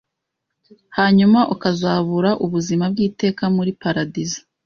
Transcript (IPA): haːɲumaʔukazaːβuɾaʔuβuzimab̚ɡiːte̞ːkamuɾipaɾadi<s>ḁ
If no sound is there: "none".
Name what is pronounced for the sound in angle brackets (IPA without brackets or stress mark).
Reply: z